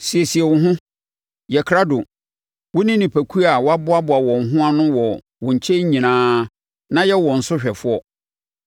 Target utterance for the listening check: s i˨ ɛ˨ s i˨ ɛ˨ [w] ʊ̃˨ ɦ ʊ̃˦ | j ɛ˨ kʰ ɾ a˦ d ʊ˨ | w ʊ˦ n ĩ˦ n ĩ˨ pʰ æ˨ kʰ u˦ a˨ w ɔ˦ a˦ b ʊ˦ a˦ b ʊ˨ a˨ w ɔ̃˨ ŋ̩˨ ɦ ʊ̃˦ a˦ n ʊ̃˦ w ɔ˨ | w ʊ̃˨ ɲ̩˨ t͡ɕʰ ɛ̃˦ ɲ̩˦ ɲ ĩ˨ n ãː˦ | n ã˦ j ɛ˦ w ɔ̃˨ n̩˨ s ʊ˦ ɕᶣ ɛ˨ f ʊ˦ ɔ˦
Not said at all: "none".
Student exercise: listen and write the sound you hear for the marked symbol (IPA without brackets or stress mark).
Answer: w